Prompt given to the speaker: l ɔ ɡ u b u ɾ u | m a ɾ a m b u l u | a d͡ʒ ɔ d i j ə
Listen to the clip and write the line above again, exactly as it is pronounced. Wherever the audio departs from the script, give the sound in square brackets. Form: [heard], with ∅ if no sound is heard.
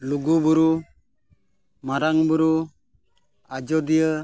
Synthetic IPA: l [u] ɡ u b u ɾ u | m a ɾ a [ŋ] b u [ɾ] u | a d͡ʒ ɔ d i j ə